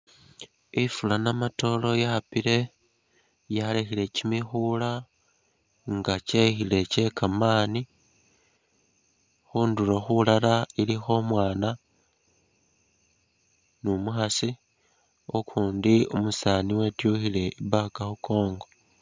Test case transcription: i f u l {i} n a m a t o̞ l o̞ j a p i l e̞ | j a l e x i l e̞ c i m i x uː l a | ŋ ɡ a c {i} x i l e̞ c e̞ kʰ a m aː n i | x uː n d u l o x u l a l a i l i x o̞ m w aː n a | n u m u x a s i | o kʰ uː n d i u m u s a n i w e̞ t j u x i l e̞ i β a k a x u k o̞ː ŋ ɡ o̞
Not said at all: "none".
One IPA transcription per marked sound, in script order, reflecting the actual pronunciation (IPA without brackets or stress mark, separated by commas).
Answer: a, e